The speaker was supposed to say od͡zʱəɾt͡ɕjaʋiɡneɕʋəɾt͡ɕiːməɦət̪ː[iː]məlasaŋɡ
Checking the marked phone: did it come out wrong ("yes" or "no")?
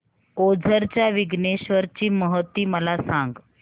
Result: no